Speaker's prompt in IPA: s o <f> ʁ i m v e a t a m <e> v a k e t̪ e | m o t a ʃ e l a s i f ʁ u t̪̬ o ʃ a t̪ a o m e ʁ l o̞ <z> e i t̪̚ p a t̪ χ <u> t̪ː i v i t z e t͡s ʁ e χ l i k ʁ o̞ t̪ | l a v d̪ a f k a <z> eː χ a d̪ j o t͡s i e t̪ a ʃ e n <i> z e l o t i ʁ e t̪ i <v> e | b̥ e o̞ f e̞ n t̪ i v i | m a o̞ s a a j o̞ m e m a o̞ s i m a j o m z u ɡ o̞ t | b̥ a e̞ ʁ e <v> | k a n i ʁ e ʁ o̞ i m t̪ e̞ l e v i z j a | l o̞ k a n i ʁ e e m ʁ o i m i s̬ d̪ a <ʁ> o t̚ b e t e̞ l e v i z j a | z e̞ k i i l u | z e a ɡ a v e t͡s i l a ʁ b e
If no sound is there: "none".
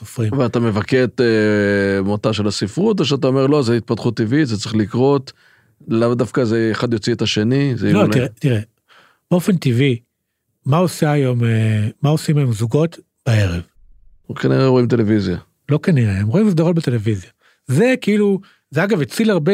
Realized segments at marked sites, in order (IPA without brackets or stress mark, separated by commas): f, e, z, u, z, i, ʁ, v, ʁ